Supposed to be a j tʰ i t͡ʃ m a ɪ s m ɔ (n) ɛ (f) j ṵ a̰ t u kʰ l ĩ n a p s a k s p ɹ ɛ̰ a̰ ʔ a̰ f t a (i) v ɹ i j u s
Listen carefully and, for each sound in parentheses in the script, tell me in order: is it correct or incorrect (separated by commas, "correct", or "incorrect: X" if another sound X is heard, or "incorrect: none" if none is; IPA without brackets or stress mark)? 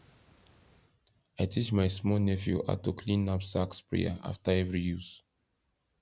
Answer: correct, correct, incorrect: ɛ